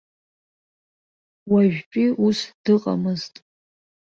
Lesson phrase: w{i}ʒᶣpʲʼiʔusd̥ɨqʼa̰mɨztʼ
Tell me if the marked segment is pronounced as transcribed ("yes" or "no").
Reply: no